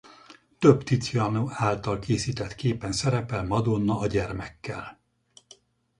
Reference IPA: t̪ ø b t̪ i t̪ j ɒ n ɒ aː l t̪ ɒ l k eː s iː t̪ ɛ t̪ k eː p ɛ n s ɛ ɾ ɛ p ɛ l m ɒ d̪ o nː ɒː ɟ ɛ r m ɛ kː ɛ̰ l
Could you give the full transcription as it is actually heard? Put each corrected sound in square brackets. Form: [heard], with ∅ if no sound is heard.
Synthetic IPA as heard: t̪ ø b t̪ i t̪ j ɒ n [o] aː l t̪ ɒ l k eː s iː t̪ ɛ t̪ k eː p ɛ n s ɛ ɾ ɛ p ɛ l m ɒ d̪ o nː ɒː ɟ ɛ r m ɛ kː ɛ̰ l

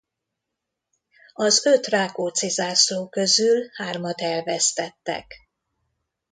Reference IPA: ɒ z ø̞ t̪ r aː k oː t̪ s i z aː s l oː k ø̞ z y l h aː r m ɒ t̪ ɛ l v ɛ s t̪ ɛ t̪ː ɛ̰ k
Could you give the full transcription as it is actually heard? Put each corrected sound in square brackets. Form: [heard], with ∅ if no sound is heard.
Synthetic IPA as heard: ɒ z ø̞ t̪ r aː k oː t̪ s i z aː s l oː k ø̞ z y l h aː r m ɒ t̪ ɛ l v ɛ s t̪ ɛ t̪ː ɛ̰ k

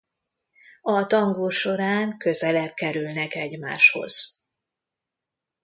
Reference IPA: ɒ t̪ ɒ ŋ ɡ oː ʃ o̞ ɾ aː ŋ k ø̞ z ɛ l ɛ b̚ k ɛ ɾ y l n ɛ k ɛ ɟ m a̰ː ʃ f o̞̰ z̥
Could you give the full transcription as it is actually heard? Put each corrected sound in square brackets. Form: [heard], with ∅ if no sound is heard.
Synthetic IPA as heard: ɒ t̪ ɒ ŋ ɡ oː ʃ o̞ ɾ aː ŋ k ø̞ z ɛ l ɛ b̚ k ɛ ɾ y l n ɛ k ɛ ɟ m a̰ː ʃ [h] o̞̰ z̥

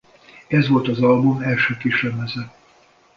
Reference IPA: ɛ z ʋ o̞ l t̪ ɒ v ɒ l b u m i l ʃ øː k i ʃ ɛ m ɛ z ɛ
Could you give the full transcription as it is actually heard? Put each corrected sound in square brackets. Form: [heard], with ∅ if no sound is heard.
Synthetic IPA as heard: ɛ z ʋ o̞ l t̪ ɒ [z] ɒ l b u m [ɛ] l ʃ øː k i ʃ ɛ m ɛ z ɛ

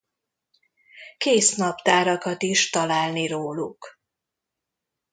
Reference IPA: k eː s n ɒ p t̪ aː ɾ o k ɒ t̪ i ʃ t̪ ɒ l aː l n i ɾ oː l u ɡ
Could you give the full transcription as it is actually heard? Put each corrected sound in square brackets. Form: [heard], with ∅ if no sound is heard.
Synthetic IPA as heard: k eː s n ɒ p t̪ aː ɾ [ɒ] k ɒ t̪ i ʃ t̪ ɒ l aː l n i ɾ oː l u [k]

